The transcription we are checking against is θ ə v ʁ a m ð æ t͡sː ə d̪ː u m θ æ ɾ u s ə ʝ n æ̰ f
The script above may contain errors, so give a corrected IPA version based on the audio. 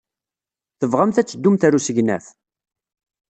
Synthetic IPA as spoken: θ ə v ʁ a m θ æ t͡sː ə d̪ː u m θ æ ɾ u s ə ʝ n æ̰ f